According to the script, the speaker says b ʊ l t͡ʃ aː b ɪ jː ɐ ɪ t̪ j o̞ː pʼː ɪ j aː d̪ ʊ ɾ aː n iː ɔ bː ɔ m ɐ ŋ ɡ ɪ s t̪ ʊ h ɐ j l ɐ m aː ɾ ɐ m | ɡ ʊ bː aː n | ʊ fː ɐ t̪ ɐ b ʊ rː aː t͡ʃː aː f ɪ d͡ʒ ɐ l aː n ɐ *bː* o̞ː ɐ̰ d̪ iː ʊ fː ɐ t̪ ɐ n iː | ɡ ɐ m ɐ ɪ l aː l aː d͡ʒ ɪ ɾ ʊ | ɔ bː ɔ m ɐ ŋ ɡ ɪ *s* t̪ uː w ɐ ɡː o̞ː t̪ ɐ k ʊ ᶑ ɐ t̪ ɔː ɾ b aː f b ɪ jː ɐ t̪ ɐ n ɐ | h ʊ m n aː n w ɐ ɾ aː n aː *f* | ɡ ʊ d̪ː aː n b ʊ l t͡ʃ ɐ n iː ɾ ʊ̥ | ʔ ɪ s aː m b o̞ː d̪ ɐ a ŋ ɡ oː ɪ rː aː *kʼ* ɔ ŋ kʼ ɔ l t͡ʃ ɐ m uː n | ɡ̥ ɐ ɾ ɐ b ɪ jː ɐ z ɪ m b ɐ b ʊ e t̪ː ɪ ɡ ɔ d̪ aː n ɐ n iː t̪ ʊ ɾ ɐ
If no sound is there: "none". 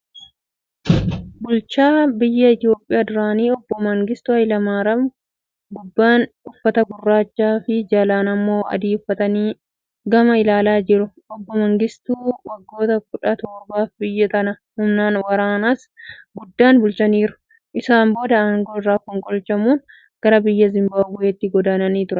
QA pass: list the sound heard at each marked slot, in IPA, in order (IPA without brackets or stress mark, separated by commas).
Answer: mː, s, s, k